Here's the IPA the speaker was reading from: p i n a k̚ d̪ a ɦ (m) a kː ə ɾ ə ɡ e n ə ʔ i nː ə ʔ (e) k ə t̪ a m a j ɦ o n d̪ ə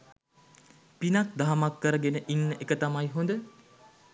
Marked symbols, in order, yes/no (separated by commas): yes, yes